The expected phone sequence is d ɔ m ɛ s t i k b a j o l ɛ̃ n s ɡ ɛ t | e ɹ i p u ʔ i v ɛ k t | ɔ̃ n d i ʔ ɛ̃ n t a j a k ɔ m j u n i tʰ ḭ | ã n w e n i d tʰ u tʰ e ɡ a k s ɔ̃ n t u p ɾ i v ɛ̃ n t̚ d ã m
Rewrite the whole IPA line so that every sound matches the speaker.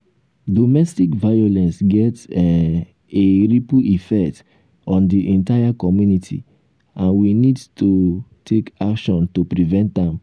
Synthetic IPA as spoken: d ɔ m ɛ s t i k v a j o l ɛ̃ n s ɡ ɛ t | e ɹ i p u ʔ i f ɛ k t | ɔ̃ n d i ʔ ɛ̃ n t a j a k ɔ m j u n i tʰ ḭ | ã n w i n i d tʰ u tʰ e k a k ʃ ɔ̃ n t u p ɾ i v ɛ̃ n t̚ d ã m